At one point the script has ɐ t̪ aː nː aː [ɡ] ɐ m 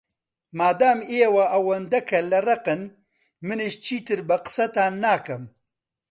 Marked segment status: incorrect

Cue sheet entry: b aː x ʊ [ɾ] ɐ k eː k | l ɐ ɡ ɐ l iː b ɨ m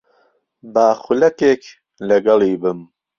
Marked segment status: incorrect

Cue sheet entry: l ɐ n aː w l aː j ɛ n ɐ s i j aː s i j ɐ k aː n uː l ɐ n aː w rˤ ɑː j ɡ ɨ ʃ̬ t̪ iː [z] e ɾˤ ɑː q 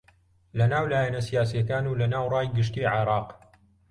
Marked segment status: incorrect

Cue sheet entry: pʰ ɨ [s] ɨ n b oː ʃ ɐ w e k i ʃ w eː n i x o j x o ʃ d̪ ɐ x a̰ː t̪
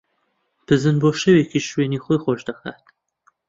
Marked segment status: incorrect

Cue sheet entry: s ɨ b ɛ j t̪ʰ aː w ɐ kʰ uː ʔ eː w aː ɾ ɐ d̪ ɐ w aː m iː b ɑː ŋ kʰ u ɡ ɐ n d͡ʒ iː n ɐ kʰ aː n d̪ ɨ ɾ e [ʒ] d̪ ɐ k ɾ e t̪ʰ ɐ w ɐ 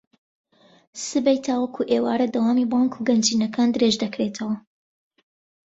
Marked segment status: correct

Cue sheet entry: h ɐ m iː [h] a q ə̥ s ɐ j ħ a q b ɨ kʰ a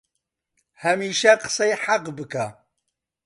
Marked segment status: incorrect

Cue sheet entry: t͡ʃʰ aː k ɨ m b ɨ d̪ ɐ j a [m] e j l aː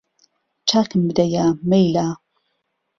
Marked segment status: correct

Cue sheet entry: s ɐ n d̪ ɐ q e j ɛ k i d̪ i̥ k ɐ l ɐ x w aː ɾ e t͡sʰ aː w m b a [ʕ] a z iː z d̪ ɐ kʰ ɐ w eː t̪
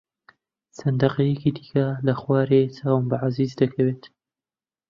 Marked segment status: correct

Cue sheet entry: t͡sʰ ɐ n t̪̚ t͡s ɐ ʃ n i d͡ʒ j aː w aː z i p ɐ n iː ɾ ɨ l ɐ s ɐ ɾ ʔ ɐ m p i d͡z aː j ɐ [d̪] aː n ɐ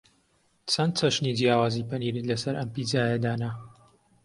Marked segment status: correct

